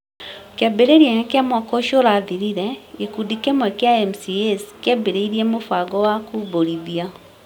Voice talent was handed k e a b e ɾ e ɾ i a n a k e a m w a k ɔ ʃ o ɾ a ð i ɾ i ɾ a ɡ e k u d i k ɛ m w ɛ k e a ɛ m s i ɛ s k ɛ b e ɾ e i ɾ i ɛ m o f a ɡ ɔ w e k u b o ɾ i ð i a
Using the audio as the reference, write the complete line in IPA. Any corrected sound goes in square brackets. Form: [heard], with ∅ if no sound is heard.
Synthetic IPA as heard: k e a b e ɾ e ɾ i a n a k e a m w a k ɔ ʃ o ɾ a ð i ɾ i ɾ [ɛ] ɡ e k u d i k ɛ m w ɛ k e a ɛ m s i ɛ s k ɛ b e ɾ e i ɾ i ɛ m o f a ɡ ɔ w [a] k u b o ɾ i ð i a